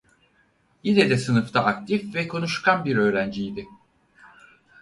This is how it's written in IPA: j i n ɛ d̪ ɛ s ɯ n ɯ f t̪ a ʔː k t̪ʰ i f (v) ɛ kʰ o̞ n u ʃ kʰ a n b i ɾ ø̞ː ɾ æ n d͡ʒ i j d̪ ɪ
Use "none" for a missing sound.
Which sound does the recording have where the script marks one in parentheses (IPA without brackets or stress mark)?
v